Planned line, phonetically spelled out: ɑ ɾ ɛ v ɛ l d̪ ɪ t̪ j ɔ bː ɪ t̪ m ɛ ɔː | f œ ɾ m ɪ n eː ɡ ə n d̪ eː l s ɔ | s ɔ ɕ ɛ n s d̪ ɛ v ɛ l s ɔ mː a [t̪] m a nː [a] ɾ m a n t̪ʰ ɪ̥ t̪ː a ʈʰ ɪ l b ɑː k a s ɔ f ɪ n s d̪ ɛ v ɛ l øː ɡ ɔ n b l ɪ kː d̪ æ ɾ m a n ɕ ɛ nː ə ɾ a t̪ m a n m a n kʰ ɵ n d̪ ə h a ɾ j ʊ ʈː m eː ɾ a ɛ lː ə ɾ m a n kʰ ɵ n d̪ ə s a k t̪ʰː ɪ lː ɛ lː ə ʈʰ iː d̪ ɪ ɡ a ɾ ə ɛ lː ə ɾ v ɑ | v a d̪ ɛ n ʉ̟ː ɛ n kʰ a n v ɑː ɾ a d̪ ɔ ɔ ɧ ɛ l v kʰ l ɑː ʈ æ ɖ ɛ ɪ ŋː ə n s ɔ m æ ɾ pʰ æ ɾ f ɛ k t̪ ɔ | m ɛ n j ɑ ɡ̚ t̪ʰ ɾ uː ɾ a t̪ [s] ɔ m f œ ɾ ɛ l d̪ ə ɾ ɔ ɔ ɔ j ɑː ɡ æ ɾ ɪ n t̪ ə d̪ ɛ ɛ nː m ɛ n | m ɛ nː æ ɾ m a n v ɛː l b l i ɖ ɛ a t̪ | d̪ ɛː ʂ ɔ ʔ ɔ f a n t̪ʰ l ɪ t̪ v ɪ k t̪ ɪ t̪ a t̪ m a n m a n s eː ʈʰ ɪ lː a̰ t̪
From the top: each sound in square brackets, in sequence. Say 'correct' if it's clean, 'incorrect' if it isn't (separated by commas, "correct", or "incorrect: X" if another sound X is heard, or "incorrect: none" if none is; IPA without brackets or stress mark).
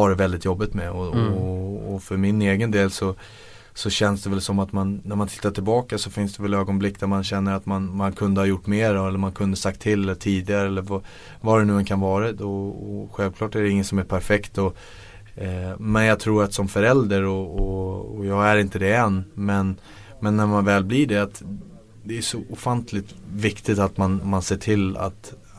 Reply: correct, incorrect: æ, correct